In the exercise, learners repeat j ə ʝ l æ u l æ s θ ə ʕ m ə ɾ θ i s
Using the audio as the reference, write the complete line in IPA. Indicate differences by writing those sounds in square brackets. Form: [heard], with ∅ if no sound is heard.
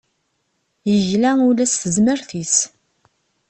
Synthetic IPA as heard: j ə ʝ l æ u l æ s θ ə [z] m ə ɾ θ i s

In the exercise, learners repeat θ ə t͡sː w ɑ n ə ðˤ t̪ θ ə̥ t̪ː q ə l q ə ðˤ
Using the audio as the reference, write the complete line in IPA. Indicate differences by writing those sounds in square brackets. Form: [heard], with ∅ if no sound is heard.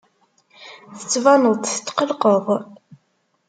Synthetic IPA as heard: θ ə t͡sː [v] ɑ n ə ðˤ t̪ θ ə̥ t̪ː q ə l q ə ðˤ

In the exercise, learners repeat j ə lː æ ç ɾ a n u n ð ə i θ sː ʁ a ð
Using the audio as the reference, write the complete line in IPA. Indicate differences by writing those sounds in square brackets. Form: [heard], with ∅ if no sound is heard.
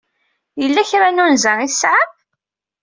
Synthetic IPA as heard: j ə lː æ ç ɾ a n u n [z] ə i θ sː [ʕ] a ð

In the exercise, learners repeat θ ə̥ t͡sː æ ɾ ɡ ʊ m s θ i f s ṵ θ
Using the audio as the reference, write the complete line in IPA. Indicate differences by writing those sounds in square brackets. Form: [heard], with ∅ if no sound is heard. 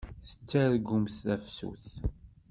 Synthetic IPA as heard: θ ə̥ t͡sː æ ɾ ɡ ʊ m [θ] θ [æ] f s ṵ θ

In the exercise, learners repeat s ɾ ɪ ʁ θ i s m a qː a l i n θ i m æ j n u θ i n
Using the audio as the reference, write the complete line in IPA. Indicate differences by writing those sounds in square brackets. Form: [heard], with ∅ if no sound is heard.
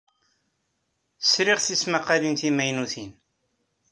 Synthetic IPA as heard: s ɾ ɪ ʁ θ i s m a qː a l i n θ i m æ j n u θ i n

